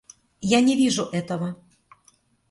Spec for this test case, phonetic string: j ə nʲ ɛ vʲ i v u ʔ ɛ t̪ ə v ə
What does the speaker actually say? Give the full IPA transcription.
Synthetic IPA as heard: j a nʲ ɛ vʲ i ʐ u ʔ ɛ t̪ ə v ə